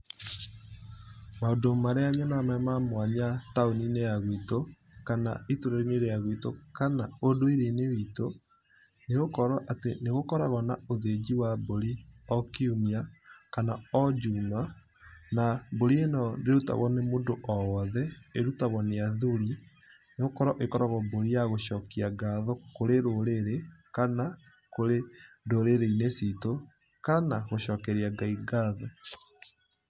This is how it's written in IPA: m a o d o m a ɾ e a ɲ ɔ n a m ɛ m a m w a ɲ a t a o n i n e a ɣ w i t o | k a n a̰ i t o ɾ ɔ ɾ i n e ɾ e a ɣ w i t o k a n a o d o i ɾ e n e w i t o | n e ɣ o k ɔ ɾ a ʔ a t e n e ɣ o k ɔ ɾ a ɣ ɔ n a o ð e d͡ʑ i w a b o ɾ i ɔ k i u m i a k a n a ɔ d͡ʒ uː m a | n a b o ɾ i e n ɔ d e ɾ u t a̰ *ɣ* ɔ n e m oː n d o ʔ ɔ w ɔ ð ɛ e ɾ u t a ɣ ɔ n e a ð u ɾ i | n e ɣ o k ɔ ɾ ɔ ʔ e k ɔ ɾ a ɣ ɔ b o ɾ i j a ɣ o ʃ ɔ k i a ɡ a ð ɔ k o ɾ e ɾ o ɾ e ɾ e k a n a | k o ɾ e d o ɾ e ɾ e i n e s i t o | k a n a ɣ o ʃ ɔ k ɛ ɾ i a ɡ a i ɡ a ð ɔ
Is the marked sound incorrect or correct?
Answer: correct